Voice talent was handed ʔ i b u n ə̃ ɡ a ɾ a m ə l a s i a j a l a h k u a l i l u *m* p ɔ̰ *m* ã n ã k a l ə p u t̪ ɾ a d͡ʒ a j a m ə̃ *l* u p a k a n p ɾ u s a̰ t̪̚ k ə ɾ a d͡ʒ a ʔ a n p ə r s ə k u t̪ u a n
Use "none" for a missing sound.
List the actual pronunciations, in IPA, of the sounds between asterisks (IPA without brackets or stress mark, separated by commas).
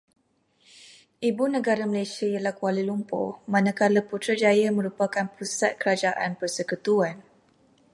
m, m, ɾ